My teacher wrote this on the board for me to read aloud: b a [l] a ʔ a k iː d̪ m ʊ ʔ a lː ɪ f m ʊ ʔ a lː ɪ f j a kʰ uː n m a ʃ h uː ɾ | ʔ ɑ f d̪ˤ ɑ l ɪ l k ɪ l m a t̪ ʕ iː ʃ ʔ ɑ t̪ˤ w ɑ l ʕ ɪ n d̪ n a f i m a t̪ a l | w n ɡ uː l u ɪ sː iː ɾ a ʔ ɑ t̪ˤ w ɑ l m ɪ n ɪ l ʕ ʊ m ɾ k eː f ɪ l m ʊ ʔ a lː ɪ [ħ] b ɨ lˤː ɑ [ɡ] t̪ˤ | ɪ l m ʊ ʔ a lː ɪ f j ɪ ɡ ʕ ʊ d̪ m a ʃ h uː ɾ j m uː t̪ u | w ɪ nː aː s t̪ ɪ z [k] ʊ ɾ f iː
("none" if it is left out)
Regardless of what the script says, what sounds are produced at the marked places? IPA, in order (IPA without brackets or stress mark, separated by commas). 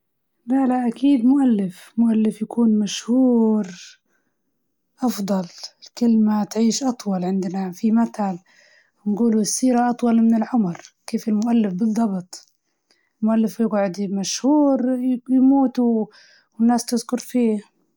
l, f, b, k